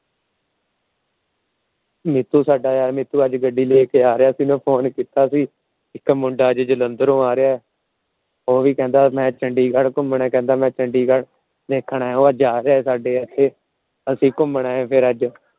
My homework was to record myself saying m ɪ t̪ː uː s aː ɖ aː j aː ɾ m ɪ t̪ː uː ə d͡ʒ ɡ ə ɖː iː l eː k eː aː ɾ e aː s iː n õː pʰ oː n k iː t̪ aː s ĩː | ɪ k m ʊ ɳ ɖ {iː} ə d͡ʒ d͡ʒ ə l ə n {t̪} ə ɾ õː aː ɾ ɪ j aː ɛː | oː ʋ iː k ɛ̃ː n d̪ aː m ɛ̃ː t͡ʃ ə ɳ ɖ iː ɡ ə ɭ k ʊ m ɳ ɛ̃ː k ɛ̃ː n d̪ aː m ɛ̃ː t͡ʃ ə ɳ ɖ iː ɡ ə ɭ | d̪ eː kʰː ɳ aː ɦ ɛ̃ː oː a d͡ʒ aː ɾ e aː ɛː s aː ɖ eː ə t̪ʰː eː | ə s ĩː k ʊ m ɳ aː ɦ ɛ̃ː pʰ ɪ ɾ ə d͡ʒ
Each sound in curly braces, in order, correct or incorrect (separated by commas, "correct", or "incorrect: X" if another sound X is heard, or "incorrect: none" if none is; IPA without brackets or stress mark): incorrect: aː, incorrect: d̪